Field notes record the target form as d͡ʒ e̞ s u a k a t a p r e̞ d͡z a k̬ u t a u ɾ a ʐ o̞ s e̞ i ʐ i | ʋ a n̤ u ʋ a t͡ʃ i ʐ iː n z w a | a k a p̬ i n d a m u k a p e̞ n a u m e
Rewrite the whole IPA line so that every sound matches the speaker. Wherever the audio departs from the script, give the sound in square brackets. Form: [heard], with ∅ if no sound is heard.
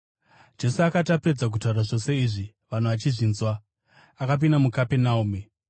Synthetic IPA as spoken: d͡ʒ e̞ s u a k a t a p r e̞ d͡z a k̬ u t a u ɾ a ʐ o̞ s e̞ i ʐ i | ʋ a n̤ u ʋ a t͡ʃ i ʐ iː n z w a | a k a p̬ i n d a m u k a p e̞ n a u m e